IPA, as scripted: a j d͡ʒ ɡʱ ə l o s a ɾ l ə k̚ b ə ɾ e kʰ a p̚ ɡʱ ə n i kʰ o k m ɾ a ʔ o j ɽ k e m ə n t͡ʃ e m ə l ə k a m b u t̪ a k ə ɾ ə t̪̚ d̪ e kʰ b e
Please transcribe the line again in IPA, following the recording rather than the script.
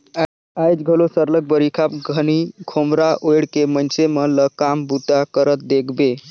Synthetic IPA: a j d͡ʒ ɡʱ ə l o s ə ɾ l ə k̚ b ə ɾ i kʰ a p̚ ɡʱ ə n i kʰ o m ɾ a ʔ o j ɽ k e m ə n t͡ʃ e m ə l ə k a m b u t̪ a k ə ɾ ə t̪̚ d̪ e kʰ b e

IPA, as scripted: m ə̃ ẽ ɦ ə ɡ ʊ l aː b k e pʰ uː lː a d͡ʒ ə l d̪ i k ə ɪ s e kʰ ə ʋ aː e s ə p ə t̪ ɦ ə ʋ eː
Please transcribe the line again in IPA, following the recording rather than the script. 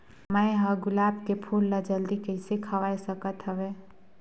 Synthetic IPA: m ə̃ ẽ ɦ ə ɡ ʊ l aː b k e pʰ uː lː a d͡ʒ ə l d̪ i k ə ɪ s e kʰ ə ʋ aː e s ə k ə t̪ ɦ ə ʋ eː

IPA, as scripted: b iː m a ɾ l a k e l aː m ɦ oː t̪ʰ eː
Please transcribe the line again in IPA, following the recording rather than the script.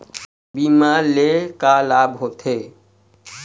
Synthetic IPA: b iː m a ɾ l e k a l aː b ɦ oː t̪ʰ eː

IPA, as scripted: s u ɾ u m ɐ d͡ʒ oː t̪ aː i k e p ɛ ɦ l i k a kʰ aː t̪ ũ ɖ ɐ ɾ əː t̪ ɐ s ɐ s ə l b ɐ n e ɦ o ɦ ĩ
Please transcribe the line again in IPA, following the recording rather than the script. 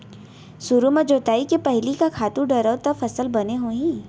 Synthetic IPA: s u ɾ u m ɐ d͡ʒ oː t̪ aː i k e p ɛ ɦ l i k a kʰ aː t̪ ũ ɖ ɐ ɾ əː t̪ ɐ f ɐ s ə l b ɐ n e ɦ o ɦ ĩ

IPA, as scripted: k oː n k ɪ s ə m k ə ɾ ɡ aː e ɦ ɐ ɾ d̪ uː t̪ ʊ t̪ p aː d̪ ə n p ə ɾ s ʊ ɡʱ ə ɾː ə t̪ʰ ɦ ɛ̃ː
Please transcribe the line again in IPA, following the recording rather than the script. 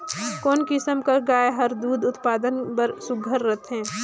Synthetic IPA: k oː n k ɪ s ə m k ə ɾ ɡ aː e ɦ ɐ ɾ d̪ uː d̪ ʊ t̪ p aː d̪ ə n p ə ɾ s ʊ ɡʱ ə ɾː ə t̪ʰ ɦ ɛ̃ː

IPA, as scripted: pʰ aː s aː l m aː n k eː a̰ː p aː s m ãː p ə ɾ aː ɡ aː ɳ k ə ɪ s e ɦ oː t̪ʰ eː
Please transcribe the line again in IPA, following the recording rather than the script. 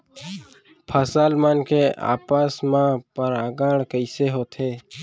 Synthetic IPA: pʰ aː s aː l m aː n k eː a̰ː p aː s m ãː p ə ɾ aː ɡ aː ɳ k ə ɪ s e ɦ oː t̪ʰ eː

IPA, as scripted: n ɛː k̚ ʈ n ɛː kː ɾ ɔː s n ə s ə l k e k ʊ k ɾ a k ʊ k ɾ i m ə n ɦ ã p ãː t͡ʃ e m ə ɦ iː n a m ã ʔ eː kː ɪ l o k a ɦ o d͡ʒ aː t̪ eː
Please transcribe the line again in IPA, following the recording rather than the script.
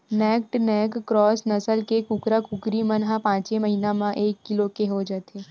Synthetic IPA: n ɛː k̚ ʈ n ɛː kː ɾ ɔː s n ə s ə l k e k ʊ k ɾ a k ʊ k ɾ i m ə n ɦ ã p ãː t͡ʃ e m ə ɦ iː n a m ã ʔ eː kː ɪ l o k e ɦ o d͡ʒ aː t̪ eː

